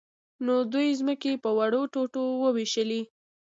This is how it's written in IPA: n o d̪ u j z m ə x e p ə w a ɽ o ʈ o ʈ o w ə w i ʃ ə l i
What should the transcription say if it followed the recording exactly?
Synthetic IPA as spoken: n o d̪ u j z m ə k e p ə w a ɽ o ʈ o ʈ o w ə w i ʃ ə l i